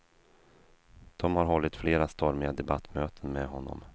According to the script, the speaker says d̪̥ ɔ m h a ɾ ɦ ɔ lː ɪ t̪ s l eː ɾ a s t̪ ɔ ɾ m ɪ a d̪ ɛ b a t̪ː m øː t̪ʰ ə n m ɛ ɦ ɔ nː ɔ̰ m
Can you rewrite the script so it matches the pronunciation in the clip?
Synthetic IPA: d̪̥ ɔ m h a ɾ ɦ ɔ lː ɪ t̪ f l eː ɾ a s t̪ ɔ ɾ m ɪ a d̪ ɛ b a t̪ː m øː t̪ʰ ə n m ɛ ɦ ɔ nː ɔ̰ m